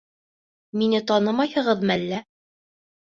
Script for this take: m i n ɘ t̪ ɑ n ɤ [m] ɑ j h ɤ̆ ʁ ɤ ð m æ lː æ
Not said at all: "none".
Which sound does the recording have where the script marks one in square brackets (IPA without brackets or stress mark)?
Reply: m